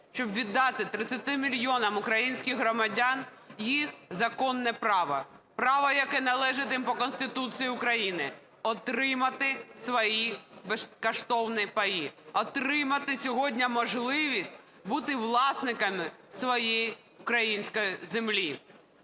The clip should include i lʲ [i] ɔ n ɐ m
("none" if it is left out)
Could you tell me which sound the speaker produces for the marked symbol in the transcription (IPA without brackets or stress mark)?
j